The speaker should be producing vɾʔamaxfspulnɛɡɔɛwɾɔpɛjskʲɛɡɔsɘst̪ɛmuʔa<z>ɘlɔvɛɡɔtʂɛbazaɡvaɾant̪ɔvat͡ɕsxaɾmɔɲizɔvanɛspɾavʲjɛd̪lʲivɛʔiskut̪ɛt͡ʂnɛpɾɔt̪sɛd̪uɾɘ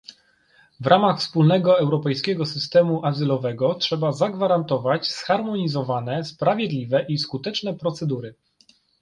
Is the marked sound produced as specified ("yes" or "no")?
yes